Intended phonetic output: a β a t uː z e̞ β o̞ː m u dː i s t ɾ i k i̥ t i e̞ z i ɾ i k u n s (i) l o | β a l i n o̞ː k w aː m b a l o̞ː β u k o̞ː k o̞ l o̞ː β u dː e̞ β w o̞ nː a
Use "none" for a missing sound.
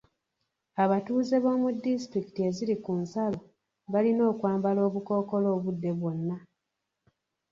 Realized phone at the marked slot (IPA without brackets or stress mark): a